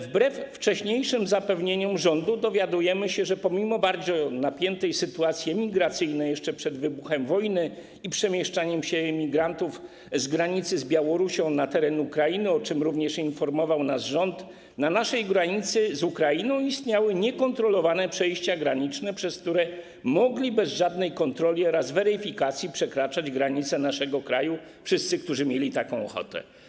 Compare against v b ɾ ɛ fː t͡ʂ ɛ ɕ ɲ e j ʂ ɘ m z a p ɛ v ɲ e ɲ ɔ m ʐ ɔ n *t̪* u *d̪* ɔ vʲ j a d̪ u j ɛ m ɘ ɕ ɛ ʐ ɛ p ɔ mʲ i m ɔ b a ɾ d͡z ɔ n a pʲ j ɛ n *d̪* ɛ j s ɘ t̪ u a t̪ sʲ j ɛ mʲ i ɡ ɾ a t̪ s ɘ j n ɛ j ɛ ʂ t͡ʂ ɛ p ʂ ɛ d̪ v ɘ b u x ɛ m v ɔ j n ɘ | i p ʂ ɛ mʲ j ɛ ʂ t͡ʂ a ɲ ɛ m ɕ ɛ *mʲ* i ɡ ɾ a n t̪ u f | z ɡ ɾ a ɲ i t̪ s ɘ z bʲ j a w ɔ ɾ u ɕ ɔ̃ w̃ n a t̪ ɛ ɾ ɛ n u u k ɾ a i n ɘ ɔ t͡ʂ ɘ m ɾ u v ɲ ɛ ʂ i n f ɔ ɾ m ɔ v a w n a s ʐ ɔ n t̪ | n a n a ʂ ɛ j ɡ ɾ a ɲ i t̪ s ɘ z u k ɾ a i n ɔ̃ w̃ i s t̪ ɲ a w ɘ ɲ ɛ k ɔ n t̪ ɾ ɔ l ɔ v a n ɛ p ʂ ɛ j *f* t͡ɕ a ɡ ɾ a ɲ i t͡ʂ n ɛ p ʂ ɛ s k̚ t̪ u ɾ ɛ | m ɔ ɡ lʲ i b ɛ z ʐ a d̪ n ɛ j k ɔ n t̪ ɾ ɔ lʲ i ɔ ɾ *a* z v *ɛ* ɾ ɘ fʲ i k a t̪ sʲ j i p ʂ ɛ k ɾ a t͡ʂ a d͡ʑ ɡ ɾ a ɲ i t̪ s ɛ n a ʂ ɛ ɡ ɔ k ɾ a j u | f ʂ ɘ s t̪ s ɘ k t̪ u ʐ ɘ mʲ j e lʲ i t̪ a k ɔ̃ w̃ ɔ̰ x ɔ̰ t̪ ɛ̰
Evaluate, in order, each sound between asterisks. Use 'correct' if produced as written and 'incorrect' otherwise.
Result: incorrect, correct, incorrect, correct, incorrect, correct, correct

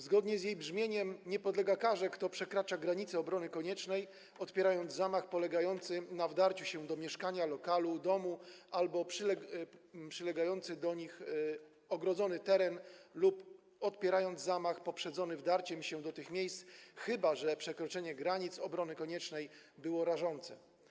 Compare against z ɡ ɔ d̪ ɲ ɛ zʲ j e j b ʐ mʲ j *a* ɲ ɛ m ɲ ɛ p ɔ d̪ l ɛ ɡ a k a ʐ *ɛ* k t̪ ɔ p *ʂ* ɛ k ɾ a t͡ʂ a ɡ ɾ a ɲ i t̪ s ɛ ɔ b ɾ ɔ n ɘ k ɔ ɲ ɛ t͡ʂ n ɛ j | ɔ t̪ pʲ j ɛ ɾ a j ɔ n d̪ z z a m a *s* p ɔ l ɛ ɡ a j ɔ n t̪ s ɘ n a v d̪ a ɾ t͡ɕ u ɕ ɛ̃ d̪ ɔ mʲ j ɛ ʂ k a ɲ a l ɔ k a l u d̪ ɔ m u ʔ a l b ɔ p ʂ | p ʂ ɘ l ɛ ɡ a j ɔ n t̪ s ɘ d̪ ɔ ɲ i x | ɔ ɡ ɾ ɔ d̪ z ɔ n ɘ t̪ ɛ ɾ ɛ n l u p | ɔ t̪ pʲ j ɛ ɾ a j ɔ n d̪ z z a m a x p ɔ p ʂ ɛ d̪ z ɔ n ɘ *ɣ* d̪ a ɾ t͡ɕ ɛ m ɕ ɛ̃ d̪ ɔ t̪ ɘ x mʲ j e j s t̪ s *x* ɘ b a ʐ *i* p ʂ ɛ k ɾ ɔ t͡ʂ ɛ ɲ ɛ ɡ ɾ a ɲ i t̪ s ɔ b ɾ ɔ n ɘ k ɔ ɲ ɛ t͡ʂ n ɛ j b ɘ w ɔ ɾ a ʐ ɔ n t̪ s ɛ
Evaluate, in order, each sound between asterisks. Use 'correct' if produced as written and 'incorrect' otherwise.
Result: incorrect, correct, correct, incorrect, incorrect, correct, incorrect

